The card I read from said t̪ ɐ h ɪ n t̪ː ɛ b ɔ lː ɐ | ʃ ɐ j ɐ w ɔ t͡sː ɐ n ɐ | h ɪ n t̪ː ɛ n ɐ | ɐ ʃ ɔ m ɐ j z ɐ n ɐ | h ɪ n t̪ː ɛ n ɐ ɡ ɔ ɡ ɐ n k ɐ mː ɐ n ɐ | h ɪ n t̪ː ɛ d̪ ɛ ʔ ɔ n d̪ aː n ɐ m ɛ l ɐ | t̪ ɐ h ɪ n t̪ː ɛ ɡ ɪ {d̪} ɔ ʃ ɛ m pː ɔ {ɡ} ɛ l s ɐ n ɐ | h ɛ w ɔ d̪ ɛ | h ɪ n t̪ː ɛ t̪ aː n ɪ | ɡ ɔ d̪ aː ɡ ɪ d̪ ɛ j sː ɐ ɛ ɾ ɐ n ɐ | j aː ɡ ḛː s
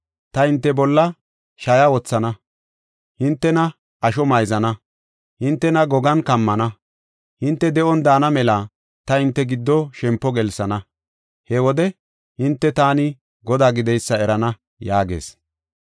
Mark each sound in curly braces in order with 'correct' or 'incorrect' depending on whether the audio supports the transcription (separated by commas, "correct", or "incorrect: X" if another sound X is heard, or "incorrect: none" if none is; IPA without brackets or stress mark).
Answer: incorrect: d̪ː, correct